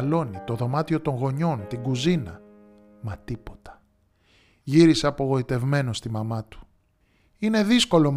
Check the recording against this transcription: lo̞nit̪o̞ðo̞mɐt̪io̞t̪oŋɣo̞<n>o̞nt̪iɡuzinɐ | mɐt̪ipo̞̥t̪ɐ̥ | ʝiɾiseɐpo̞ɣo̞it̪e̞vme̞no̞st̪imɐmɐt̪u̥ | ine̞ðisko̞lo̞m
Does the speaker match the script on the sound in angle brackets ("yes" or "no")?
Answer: no